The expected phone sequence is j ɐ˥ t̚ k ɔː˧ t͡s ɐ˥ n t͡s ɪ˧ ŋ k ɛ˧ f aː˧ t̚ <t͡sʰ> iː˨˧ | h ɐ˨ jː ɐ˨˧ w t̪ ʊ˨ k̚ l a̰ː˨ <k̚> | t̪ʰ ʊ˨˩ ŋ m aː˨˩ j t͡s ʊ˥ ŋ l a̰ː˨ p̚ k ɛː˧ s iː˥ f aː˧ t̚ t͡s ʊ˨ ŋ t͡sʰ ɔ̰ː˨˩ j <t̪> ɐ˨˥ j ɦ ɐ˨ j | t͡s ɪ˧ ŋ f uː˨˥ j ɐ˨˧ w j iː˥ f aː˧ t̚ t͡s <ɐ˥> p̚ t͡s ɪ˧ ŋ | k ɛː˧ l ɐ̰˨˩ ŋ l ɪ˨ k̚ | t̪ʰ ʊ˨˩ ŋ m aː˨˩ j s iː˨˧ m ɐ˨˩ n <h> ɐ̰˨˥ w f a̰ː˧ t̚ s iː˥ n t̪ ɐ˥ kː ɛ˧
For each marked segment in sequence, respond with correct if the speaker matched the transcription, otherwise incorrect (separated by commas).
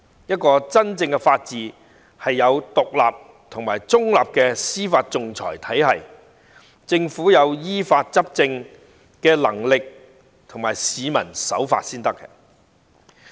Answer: incorrect, incorrect, incorrect, correct, incorrect